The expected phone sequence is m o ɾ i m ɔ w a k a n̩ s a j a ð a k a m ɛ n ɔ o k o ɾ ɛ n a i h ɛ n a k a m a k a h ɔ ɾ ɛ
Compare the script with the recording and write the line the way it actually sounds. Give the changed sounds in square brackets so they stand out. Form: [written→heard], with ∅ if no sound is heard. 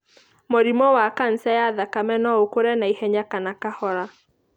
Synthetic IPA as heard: m o ɾ i m ɔ w a k a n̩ s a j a ð a k a m ɛ n ɔ o k o ɾ ɛ n a i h ɛ [n→ɲ] a k a [m→n] a k a h ɔ ɾ [ɛ→a]

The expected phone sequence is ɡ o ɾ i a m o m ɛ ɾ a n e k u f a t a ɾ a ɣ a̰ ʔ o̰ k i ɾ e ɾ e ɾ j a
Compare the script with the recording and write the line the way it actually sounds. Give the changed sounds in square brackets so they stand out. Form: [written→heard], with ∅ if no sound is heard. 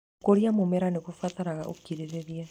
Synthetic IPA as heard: [ɡ→k] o ɾ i a m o m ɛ ɾ a n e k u f a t a ɾ a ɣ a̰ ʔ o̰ k i ɾ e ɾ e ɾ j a

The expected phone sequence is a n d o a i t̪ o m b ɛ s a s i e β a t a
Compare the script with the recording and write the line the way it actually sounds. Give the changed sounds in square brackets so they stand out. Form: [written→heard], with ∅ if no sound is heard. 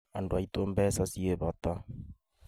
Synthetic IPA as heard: a n d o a i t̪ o m b ɛ s a s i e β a t a

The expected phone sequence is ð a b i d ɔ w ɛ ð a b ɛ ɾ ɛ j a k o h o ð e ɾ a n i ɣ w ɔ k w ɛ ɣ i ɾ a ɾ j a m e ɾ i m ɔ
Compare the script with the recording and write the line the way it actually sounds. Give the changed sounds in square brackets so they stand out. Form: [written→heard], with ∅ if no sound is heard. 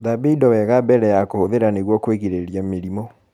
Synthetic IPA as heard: ð a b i d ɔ w ɛ [ð→ɣ] a b ɛ ɾ ɛ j a k o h o ð e ɾ a n [i→e] ɣ w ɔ k w [ɛ→e] ɣ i ɾ [a→e] ɾ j a m e ɾ i m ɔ

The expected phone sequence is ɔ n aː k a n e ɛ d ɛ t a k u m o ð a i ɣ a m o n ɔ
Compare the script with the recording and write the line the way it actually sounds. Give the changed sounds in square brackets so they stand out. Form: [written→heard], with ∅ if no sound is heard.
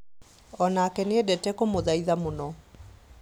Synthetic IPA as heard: ɔ n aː k [a→ɛ] n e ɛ d ɛ t [a→ɛ] k [u→o] m o ð a i [ɣ→ð] a m o n ɔ

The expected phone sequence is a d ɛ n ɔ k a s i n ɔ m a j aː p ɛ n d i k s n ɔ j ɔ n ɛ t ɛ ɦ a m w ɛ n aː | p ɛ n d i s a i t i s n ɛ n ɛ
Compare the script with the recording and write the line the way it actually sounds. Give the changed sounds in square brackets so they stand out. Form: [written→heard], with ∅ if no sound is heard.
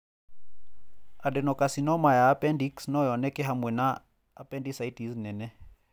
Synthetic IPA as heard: a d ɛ n ɔ k a s i n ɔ m a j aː p ɛ n d i k s n ɔ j ɔ n ɛ [t→k] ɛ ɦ a m w ɛ n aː | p ɛ n d i s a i t i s n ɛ n ɛ

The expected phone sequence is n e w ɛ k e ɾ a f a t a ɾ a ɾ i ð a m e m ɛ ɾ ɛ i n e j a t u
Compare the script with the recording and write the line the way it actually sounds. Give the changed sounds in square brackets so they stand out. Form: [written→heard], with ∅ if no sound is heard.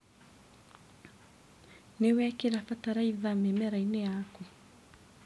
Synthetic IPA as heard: n e w ɛ k e ɾ a f a t a ɾ a [ɾ→∅] i ð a m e m ɛ ɾ [ɛ→a] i n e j a [t→k] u

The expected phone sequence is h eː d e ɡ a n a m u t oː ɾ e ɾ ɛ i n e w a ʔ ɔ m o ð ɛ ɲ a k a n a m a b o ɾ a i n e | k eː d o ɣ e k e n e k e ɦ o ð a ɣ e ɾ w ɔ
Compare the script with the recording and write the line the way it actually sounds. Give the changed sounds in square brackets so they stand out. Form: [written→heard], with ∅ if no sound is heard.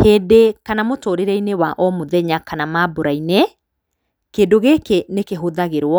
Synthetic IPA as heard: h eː d e [ɡ→k] a n a m [u→o] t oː ɾ e ɾ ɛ i n e w a ʔ ɔ m o ð ɛ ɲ a k a n a m a b o ɾ a i n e | k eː d o ɣ e k e n e k e ɦ o ð a ɣ e ɾ w ɔ

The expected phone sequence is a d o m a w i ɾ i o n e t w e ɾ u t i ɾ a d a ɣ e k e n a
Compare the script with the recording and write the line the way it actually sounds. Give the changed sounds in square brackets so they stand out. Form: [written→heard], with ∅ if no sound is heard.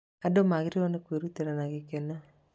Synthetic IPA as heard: a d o m a [w→ɣ] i ɾ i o n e [t→k] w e ɾ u t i ɾ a [d→n] a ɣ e k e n a

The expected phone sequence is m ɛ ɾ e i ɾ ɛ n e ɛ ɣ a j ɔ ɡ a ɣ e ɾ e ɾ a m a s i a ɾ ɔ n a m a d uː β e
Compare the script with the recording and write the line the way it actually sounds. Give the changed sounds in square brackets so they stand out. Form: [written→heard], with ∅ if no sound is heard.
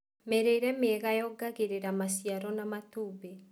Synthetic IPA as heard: m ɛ ɾ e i ɾ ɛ [n→m] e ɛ ɣ a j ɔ ɡ a ɣ e ɾ e ɾ a m a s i a ɾ ɔ n a m a [d→t] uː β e

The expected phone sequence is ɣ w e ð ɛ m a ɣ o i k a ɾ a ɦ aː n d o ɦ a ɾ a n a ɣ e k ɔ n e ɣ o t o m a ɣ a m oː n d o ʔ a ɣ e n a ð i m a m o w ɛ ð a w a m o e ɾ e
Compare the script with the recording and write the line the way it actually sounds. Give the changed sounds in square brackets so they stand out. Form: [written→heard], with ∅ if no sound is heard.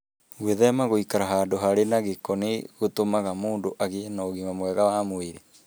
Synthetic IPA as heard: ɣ w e ð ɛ m a ɣ o i k a ɾ a ɦ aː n d o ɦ a ɾ [a→e] n a ɣ e k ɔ n e ɣ o t o m a ɣ a m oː n d o ʔ a ɣ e n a [ð→ɣ] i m a m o w ɛ [ð→ɣ] a w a m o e ɾ e

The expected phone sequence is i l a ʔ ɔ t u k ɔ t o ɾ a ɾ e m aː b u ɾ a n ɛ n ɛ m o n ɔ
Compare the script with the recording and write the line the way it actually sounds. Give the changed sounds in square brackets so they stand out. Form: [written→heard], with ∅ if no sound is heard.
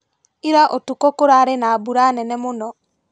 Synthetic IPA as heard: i [l→ɾ] a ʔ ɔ t u k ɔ [t→k] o ɾ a ɾ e [m→n] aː b u ɾ a n ɛ n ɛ m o n ɔ

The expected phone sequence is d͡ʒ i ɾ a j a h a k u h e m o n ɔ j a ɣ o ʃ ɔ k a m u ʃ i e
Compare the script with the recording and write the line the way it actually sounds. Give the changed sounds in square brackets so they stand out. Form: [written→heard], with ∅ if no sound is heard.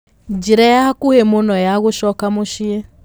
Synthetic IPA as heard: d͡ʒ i ɾ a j a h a k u h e m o n ɔ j a ɣ o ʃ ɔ k a m [u→o] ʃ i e

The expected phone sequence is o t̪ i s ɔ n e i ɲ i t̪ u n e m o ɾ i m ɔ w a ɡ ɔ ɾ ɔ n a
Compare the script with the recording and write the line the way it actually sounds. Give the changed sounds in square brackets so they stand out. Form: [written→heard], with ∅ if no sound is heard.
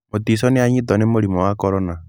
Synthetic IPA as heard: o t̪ i s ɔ n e [i→a] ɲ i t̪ [u→ɔ] n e m o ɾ i m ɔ w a [ɡ→k] ɔ ɾ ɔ n a

